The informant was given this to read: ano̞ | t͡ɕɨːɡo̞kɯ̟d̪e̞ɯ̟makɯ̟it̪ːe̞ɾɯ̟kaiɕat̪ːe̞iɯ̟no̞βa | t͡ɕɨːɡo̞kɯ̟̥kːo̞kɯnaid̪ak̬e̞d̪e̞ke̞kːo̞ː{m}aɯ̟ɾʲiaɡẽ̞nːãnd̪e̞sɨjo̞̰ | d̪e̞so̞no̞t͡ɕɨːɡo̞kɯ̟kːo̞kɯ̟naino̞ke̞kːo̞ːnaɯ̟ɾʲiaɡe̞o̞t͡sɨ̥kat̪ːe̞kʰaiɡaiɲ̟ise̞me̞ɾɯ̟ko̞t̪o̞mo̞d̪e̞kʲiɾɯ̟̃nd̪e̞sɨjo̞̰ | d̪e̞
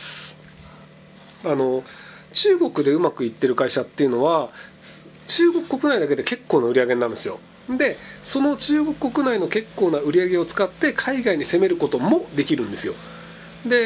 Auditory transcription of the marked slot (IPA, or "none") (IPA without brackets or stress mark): n